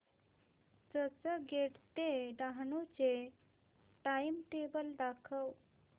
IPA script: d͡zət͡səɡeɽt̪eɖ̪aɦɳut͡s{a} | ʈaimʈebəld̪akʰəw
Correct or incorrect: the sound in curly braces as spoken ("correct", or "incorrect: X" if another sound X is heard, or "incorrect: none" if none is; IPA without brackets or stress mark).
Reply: incorrect: e